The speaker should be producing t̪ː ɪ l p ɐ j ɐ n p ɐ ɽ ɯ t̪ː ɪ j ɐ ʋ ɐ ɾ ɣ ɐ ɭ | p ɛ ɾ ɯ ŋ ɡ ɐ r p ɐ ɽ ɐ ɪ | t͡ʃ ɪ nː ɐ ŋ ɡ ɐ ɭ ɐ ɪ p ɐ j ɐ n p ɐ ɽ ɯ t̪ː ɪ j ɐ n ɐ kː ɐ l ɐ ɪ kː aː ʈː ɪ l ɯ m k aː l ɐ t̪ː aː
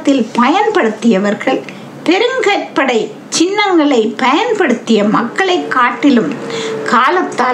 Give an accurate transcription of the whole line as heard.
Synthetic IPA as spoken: t̪ː ɪ l p ɐ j ɐ n p ɐ ɽ ɯ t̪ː ɪ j ɐ ʋ ɐ ɾ ɣ ɐ ɭ | p ɛ ɾ ɯ ŋ ɡ ɐ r p ɐ ɽ ɐ ɪ | t͡ʃ ɪ nː ɐ ŋ ɡ ɐ ɭ ɐ ɪ p ɐ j ɐ n p ɐ ɽ ɯ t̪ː ɪ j ɐ m ɐ kː ɐ ɭ ɐ ɪ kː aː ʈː ɪ l ɯ m k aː l ɐ t̪ː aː